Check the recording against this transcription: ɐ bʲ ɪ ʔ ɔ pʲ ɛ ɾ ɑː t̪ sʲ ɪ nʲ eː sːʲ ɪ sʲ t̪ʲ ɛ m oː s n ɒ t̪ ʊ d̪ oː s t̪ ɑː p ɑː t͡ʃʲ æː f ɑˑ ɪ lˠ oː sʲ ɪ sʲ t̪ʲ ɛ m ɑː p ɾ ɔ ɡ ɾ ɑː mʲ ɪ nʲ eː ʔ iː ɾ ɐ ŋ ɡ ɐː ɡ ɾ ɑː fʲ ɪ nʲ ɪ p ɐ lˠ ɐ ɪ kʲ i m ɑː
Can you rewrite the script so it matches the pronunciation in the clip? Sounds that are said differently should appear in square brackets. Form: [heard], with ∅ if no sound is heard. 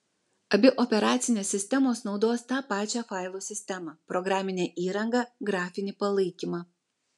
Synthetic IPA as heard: ɐ bʲ ɪ ʔ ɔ pʲ ɛ ɾ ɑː t̪ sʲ ɪ nʲ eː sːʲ ɪ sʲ t̪ʲ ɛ m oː s n ɒ [∅] ʊ d̪ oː s t̪ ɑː p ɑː t͡ʃʲ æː f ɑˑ ɪ lˠ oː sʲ ɪ sʲ t̪ʲ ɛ m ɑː p ɾ ɔ ɡ ɾ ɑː mʲ ɪ nʲ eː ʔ iː ɾ ɐ ŋ ɡ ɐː ɡ ɾ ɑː fʲ ɪ nʲ ɪ p ɐ lˠ ɐ ɪ kʲ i m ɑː